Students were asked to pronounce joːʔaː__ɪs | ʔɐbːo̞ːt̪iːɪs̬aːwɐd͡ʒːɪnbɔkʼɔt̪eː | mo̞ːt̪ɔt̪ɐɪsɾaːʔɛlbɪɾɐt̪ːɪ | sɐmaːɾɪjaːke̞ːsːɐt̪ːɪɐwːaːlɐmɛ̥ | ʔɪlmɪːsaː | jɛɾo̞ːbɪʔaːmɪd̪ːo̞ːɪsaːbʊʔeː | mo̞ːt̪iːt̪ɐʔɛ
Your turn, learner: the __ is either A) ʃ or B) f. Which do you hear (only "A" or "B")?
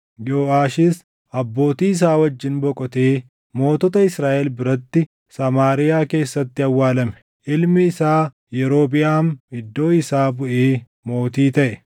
A